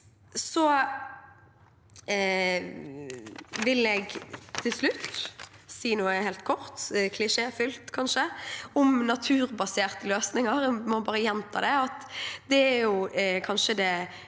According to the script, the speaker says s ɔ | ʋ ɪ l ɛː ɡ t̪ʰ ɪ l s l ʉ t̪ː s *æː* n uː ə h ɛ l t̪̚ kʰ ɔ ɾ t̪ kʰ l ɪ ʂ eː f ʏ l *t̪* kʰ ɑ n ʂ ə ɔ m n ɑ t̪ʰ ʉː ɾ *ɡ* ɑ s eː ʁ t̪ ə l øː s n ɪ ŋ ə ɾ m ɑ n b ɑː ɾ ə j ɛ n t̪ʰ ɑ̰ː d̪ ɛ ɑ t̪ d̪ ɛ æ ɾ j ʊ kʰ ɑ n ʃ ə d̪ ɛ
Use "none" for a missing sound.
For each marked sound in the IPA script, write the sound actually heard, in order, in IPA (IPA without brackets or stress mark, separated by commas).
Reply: iː, t̪, b